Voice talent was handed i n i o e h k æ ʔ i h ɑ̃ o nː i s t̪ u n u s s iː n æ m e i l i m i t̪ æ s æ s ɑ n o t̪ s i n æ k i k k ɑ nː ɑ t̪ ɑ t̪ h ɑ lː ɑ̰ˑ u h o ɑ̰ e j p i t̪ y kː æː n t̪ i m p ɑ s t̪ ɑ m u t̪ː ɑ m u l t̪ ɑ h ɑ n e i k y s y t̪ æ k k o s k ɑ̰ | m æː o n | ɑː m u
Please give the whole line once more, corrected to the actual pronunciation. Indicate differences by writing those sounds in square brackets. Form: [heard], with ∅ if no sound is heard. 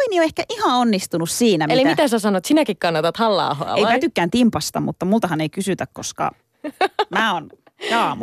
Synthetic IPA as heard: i n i o e h k æ ʔ i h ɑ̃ o nː i s t̪ u n u s s iː n æ m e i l i m i t̪ æ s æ s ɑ n o t̪ s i n æ k i k k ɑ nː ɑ t̪ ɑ t̪ h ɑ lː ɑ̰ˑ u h o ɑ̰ e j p [æ] t̪ y kː æː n t̪ i m p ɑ s t̪ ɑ m u t̪ː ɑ m u l t̪ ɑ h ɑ n e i k y s y t̪ æ k k o s k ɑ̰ | m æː o n | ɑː m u